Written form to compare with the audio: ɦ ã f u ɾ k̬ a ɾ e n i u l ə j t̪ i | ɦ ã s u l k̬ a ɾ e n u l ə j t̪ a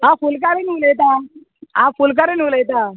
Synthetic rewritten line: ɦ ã f u l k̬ a ɾ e n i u l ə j t̪ a | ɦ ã f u l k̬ a ɾ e n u l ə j t̪ a